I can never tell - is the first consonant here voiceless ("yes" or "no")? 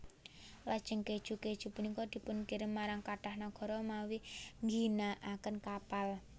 no